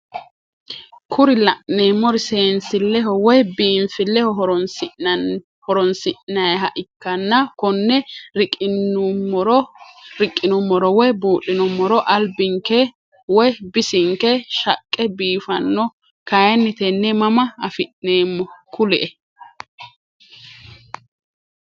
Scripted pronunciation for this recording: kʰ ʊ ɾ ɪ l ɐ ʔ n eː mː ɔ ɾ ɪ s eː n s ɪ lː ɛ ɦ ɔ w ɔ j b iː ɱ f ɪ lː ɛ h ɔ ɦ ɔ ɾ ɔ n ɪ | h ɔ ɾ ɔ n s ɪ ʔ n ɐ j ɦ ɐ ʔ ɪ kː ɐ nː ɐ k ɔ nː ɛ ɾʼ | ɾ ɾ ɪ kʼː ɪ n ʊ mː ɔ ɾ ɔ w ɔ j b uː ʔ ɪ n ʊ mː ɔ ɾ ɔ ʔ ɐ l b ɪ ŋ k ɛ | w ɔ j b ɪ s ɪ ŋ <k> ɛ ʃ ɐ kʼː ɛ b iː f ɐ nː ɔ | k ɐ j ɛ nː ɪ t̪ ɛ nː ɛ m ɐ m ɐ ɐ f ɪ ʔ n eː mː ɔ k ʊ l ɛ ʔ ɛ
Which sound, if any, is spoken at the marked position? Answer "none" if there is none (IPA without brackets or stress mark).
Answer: k